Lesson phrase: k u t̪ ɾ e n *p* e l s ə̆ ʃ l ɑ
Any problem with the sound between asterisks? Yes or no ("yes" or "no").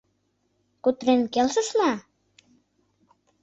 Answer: yes